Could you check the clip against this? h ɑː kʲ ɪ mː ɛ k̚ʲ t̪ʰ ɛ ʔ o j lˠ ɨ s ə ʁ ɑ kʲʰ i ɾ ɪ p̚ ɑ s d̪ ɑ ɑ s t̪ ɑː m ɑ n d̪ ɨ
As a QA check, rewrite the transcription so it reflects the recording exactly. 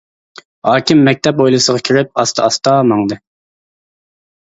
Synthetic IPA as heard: h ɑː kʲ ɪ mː ɛ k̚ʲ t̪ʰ ɛ p o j lˠ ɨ s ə ʁ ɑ kʲʰ i ɾ ɪ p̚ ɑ s t̪ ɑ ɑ s t̪ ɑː m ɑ ŋ d̪ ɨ

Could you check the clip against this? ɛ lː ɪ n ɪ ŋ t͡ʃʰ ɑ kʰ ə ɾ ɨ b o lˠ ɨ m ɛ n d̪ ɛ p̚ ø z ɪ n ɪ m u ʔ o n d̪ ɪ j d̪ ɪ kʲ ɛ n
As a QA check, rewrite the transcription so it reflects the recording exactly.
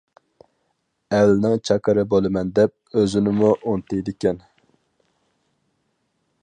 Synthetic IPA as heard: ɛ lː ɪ n ɪ ŋ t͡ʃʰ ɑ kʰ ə ɾ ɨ b o lˠ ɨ m ɛ n d̪ ɛ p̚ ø z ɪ n ɪ m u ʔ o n t̪ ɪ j d̪ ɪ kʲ ɛ n

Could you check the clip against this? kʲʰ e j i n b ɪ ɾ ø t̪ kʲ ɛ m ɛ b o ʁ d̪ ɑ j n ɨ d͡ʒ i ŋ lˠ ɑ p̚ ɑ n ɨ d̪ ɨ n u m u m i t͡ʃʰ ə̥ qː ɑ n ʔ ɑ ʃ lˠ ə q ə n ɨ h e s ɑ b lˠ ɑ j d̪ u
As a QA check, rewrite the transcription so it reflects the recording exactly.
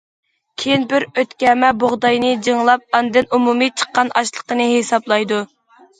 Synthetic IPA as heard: kʲʰ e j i n b ɪ ɾ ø t̪ kʲ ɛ m ɛ b o ʁ d̪ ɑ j n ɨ d͡ʒ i ŋ lˠ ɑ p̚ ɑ n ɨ d̪ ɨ n u m u m i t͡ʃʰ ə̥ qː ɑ n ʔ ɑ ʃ lˠ ə q ə n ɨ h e s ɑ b lˠ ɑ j d̪ u

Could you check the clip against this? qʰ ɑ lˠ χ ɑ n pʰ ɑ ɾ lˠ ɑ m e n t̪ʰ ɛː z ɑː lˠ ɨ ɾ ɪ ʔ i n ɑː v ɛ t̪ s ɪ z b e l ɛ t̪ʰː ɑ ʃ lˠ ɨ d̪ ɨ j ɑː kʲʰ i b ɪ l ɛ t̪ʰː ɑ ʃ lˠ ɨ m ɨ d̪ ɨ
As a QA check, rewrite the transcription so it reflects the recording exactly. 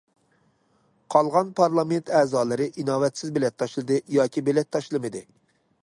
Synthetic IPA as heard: qʰ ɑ lˠ ʁ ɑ n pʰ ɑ ɾ lˠ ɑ m e n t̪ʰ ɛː z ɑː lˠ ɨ ɾ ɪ ʔ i n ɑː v ɛ t̪ s ɪ z b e l ɛ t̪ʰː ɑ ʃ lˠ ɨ d̪ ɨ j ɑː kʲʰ i b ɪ l ɛ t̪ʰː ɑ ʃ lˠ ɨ m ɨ d̪ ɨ

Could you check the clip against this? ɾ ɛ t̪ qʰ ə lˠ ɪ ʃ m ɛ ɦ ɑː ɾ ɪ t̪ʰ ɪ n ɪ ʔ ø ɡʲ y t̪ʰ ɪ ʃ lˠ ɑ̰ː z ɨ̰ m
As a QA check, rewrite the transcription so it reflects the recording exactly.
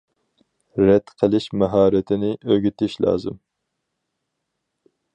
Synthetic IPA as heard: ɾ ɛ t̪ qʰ ə lˠ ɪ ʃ m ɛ ɦ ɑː ɾ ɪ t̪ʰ ɪ n ɪ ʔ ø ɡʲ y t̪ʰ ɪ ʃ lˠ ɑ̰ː z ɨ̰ m

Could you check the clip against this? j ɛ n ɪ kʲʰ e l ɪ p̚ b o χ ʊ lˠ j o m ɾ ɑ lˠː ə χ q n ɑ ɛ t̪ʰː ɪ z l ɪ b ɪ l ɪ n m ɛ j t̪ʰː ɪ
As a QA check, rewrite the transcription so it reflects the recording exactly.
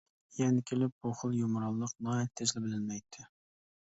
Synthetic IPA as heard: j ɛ n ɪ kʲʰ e l ɪ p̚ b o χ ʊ lˠ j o m ɾ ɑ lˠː ə q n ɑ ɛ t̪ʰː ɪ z l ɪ b ɪ l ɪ n m ɛ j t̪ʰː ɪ

